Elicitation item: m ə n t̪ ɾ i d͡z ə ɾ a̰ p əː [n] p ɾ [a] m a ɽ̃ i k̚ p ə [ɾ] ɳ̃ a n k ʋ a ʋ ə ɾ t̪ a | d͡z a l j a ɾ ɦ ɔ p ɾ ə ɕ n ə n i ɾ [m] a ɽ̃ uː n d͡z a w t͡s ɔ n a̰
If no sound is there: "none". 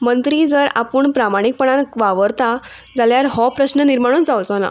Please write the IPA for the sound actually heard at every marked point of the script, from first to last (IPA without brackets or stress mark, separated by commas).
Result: ɳ, a, none, m